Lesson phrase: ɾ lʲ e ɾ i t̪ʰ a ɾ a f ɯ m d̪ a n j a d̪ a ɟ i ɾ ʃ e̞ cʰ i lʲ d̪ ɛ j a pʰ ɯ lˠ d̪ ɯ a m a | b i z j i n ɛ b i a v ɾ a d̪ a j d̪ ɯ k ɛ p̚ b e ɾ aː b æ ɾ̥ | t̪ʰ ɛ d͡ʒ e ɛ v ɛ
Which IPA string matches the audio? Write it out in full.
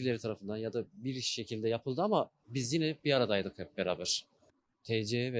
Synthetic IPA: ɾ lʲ e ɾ i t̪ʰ a ɾ a f ɯ n d̪ a n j a d̪ a b i ɾ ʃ e̞ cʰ i lʲ d̪ ɛ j a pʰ ɯ lˠ d̪ ɯ a m a | b i z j i n ɛ b i a ɾ a d̪ a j d̪ ɯ k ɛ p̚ b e ɾ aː b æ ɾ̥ | t̪ʰ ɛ d͡ʒ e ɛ v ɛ